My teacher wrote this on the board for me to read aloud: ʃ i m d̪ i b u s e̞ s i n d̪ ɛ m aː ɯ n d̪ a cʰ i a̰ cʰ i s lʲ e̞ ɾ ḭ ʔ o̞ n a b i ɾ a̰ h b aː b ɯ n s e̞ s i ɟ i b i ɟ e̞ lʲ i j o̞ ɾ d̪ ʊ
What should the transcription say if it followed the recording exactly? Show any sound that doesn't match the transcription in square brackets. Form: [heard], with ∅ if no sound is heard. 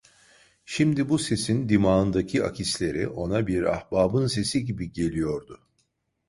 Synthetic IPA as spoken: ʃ i m d̪ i b u s e̞ s i n d̪ [i] m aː ɯ n d̪ a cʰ i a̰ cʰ i s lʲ e̞ ɾ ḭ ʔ o̞ n a b i ɾ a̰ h b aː b ɯ n s e̞ s i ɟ i b i ɟ e̞ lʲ i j o̞ ɾ d̪ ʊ